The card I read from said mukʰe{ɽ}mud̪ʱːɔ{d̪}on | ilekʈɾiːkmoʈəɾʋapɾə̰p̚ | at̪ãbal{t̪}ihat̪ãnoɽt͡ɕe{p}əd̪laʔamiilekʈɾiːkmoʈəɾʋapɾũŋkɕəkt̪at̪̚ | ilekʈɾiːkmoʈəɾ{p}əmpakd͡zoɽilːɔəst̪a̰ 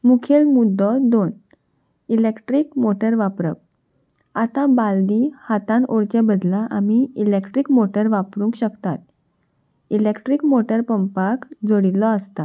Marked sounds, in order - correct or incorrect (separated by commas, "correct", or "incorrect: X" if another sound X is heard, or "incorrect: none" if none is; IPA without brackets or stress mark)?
incorrect: l, correct, incorrect: d̪, incorrect: b, correct